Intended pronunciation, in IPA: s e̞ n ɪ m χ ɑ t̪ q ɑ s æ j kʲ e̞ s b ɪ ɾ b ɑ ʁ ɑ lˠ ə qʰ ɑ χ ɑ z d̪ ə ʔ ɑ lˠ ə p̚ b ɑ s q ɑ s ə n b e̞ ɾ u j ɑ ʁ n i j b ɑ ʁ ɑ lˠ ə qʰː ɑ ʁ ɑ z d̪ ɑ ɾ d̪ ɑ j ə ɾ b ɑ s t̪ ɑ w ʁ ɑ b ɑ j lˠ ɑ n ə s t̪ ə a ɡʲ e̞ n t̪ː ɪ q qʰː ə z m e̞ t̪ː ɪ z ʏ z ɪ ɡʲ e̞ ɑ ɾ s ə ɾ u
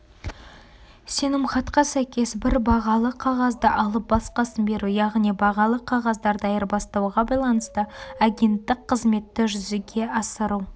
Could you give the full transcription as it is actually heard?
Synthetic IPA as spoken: s e̞ n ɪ m χ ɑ t̪ q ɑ s æ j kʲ e̞ s b ɪ ɾ b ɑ ʁ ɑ lˠ ə qʰ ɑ ʁ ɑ z d̪ ə ʔ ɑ lˠ ə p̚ b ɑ s q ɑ s ə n b e̞ ɾ u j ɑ ʁ n i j b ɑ ʁ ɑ lˠ ə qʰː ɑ ʁ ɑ z d̪ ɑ ɾ d̪ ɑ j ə ɾ b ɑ s t̪ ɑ w ʁ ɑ b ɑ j lˠ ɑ n ə s t̪ ə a ɡʲ e̞ n t̪ː ɪ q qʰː ə z m e̞ t̪ː ɪ ʒ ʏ z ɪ ɡʲ e̞ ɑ s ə ɾ u

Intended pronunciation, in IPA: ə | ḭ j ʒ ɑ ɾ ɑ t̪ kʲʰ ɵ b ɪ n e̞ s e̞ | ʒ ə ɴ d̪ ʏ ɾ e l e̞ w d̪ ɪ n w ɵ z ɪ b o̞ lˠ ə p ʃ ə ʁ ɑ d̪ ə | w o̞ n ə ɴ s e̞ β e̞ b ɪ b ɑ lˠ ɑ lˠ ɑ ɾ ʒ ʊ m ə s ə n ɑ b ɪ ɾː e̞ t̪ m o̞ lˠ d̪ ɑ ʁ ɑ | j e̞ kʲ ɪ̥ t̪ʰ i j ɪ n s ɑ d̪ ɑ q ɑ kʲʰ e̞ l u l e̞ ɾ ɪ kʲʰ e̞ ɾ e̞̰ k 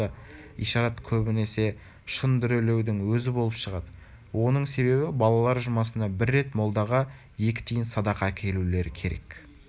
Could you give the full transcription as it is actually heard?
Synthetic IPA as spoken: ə | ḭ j ʃ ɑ ɾ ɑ t̪ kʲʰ ɵ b ɪ n e̞ s e̞ | ʃ ə n d̪ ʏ ɾ e l e̞ w d̪ ɪ ŋ w ɵ z ɪ b o̞ lˠ ə p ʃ ə ʁ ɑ d̪ ə | w o̞ n ə ɴ s e̞ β e̞ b ɪ b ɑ lˠ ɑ lˠ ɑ ɾ ʒ ʊ m ɑ s ə n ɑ b ɪ ɾː e̞ t̪ m o̞ lˠ d̪ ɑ ʁ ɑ | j e̞ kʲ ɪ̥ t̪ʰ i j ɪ n s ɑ d̪ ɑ q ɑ kʲʰ e̞ l u l e̞ ɾ ɪ kʲʰ e̞ ɾ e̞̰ k

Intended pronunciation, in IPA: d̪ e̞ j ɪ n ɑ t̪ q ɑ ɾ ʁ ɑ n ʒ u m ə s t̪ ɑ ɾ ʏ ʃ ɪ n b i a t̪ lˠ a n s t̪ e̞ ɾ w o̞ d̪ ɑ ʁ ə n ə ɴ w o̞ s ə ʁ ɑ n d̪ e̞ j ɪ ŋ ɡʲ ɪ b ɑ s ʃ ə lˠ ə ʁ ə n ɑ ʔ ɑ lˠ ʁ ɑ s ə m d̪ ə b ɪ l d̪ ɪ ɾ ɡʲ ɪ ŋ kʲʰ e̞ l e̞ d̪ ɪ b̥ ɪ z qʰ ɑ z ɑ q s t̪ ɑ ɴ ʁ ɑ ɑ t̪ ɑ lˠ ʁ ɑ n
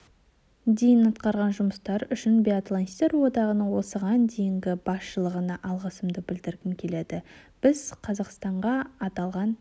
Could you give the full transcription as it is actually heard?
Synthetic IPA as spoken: d̪ e̞ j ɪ n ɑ t̪ q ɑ ɾ ʁ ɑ n ʒ ʊ m ə s t̪ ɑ ɾ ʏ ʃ ɪ n b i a t̪ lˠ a n s t̪ e̞ ɾ w o̞ d̪ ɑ ʁ ə n ə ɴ w o̞ s ə ʁ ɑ n d̪ e̞ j ɪ ŋ ɡʲ ɪ b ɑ s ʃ ə lˠ ə ʁ ə n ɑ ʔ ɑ lˠ ʁ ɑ s ə m d̪ ə b ɪ l d̪ ɪ ɾ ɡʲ ɪ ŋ kʲʰ e̞ l e̞ d̪ ɪ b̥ ɪ z qʰ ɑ z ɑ q s t̪ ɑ ɴ ʁ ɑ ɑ t̪ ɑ lˠ ʁ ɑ n

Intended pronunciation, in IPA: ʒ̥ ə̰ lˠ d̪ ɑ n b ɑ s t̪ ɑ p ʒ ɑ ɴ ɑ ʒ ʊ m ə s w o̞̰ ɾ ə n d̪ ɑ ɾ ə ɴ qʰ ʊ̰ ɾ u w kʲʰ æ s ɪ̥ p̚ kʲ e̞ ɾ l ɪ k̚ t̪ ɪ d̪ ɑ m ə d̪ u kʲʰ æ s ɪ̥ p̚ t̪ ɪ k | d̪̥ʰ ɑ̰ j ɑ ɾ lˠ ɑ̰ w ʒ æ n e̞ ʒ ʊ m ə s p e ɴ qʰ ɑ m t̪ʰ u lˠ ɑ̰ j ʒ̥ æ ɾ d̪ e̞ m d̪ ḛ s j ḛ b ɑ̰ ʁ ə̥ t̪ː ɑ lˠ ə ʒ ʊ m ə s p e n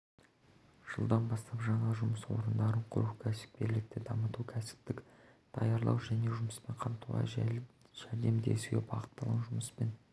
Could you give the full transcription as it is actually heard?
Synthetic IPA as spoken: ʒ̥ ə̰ lˠ d̪ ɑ n b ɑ s t̪ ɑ p ʒ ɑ ɴ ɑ ʒ ʊ m ə s w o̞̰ ɾ ə n d̪ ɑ ɾ ə ɴ qʰ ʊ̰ ɾ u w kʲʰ æ s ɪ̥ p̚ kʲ e̞ ɾ l ɪ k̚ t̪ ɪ d̪ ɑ m ə t̪ u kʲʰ æ s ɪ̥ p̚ t̪ ɪ k | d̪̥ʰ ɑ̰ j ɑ ɾ lˠ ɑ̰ w ʒ æ n e̞ ʒ ʊ m ə s p e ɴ qʰ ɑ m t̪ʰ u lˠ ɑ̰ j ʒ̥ æ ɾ d̪ e̞ m d̪ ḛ s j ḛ b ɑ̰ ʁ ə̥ t̪ː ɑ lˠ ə ʒ ʊ m ə s p e n

